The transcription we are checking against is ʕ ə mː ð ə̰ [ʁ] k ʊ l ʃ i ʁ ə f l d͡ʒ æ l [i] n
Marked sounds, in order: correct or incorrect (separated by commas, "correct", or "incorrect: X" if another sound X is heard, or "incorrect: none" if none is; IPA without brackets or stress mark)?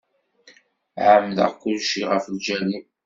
correct, correct